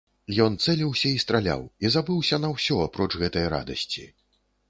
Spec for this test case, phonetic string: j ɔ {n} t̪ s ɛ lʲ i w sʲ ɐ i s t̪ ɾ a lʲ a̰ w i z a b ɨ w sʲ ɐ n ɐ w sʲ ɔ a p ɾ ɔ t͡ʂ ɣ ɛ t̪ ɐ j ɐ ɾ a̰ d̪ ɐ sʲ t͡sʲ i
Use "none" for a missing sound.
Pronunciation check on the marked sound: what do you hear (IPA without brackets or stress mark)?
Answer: n